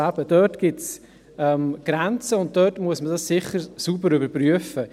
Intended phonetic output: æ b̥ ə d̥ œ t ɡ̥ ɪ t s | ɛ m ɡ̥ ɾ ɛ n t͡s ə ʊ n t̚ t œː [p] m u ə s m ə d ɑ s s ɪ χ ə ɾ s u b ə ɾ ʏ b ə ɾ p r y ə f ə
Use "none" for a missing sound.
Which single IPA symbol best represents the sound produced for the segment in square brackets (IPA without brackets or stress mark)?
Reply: t